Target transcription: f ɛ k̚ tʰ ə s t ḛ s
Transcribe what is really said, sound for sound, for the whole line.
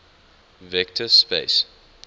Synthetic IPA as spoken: v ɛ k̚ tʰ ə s p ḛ s

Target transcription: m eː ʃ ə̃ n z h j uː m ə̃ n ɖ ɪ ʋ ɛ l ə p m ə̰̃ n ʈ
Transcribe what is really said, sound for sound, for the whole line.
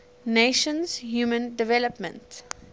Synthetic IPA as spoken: n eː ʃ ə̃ n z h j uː m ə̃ n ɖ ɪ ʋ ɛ l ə p m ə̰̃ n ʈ

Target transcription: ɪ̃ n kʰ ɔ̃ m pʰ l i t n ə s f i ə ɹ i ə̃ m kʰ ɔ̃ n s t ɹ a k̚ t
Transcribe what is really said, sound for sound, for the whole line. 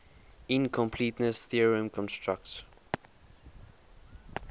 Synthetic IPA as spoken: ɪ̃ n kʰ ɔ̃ m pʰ l i t n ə s θ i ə ɹ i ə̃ m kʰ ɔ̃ n s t ɹ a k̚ t

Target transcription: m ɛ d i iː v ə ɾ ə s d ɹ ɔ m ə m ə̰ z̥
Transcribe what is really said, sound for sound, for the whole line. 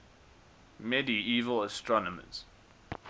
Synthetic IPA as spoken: m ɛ d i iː v ə l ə s t ɹ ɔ n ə m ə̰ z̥

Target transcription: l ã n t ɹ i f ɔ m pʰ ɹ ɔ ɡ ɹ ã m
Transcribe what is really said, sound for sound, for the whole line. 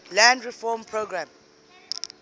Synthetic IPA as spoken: l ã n d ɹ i f ɔ m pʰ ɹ o ɡ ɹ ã m

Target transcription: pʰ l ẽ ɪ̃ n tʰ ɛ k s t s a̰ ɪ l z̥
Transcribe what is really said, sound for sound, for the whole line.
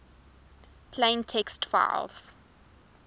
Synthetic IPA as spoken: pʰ l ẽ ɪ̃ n tʰ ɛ k s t f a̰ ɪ l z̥

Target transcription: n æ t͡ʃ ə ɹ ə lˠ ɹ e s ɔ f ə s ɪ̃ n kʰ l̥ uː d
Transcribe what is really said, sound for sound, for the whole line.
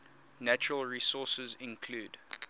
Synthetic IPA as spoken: n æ t͡ʃ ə ɹ ə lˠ ɹ i s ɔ s ə z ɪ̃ n kʰ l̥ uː d

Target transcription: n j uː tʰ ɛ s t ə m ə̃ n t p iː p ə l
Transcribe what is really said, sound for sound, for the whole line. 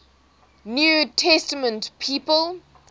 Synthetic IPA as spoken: n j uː tʰ ɛ s t ə m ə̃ n t pʰ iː p ə l

